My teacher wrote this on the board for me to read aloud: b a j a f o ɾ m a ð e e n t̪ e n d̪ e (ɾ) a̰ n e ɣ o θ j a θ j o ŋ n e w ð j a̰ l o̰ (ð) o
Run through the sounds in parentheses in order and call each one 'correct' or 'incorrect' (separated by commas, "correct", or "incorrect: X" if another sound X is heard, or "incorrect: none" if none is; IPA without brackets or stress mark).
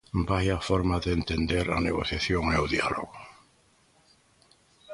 correct, incorrect: ɣ